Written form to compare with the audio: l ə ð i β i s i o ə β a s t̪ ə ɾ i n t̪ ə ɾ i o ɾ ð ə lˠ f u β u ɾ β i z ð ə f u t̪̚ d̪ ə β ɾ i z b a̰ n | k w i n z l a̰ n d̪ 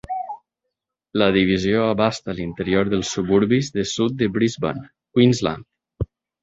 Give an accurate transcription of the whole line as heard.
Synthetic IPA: l ə ð i β i z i o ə β a s t̪ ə l i n t̪ ə ɾ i o ɾ ð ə lˠ s u β u ɾ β i z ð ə s u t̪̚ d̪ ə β ɾ i z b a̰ n | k w i n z l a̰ n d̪